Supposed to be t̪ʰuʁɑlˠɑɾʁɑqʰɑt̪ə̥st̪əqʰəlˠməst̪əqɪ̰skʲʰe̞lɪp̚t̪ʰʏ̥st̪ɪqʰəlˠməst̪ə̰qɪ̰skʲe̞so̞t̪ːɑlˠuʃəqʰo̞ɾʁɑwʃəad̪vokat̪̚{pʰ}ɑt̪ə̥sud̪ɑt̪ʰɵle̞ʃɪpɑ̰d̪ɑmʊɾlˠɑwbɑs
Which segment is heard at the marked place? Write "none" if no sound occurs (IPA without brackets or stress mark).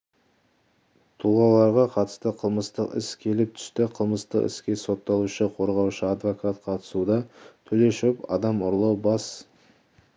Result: qʰ